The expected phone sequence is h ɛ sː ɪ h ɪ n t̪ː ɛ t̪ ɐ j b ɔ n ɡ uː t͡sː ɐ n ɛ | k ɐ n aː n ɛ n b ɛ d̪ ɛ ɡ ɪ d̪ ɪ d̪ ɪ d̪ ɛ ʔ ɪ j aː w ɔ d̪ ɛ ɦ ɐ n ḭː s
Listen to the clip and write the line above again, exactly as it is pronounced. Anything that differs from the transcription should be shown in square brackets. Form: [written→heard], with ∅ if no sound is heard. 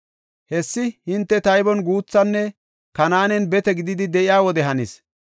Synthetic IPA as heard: h ɛ sː ɪ h ɪ n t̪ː ɛ t̪ ɐ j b ɔ n ɡ uː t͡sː ɐ [n→nː] ɛ | k ɐ n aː n ɛ n b ɛ [d̪→t̪] ɛ ɡ ɪ d̪ ɪ d̪ ɪ d̪ ɛ ʔ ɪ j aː w ɔ d̪ ɛ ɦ ɐ n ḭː s